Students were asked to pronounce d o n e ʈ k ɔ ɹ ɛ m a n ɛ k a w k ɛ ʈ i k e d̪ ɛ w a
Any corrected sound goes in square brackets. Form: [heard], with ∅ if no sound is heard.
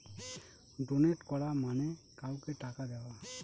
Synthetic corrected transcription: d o n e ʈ k ɔ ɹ [a] m a n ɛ k a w k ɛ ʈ [a] k [a] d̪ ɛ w a